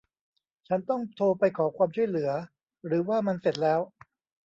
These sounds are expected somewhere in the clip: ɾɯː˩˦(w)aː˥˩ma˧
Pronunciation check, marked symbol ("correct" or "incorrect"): correct